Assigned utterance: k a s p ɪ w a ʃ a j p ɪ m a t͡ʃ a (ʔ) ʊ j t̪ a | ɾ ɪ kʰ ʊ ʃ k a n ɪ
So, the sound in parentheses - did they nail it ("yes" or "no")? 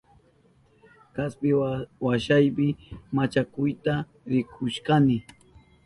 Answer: no